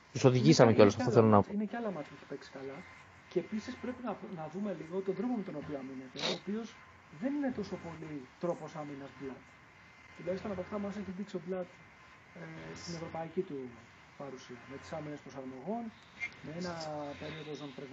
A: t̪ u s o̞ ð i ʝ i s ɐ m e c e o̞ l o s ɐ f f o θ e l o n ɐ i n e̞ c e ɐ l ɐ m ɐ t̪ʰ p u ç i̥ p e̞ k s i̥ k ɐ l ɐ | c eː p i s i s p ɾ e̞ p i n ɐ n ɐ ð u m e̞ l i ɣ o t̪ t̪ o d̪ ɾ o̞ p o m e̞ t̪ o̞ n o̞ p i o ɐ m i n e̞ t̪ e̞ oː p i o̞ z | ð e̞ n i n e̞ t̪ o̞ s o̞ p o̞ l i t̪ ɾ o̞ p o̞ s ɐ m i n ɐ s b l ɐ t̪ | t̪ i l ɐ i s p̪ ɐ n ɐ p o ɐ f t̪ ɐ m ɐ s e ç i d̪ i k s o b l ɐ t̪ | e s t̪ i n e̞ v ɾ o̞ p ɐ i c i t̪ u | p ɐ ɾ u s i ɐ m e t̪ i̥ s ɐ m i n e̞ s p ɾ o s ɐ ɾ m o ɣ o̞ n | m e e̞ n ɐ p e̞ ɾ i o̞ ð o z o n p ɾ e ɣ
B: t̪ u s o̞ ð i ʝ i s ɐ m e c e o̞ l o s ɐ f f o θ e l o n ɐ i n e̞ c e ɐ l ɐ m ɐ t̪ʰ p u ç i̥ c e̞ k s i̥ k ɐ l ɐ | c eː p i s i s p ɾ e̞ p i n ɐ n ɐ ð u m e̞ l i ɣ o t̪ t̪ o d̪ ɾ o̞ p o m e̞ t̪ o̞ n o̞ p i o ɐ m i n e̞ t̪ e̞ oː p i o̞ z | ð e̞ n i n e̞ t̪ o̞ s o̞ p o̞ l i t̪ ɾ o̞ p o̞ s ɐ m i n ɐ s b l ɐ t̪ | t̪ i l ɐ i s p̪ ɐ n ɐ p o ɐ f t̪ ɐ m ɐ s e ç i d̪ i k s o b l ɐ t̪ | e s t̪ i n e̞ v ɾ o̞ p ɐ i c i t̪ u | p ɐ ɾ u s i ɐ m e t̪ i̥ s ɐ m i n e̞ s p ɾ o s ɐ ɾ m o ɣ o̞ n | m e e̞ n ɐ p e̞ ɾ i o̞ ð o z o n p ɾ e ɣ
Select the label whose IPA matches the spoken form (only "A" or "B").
A